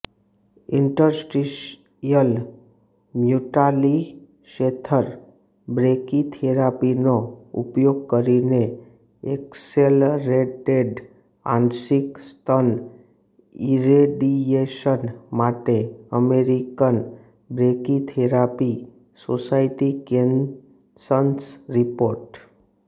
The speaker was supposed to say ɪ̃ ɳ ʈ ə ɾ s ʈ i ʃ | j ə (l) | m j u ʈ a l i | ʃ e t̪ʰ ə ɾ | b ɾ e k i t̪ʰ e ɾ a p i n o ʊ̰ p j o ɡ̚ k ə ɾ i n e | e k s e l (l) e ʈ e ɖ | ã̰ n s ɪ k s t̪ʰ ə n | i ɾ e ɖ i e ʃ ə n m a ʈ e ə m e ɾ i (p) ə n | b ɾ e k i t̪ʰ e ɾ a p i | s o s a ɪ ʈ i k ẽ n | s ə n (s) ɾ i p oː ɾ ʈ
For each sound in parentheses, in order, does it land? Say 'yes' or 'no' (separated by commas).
yes, no, no, yes